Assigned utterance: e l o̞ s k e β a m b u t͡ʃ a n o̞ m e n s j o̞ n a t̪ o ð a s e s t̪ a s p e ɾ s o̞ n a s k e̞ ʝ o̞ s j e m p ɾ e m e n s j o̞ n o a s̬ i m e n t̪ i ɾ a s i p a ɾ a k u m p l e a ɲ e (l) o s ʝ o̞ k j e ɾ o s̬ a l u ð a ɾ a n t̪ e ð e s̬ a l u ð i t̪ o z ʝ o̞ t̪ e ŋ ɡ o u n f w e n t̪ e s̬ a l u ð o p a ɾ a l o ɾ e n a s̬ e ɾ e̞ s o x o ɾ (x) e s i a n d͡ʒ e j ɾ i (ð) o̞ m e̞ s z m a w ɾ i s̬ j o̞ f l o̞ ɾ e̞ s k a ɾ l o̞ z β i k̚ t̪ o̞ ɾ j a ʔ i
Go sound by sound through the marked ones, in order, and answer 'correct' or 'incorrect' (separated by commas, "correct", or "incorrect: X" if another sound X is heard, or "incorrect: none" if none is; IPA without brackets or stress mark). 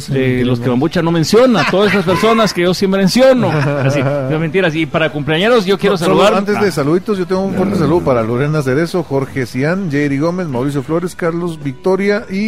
incorrect: ɾ, correct, incorrect: ɣ